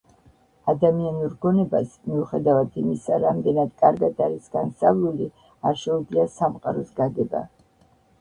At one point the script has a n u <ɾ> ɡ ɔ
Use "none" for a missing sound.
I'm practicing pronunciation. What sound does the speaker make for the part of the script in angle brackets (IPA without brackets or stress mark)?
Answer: ɾ